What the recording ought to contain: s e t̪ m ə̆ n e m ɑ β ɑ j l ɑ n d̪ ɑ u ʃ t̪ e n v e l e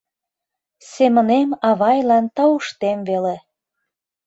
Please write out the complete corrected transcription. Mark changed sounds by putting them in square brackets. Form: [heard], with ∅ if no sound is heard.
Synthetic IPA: s e [∅] m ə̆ n e m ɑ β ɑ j l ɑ n [t̪] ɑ u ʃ t̪ e [m] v e l e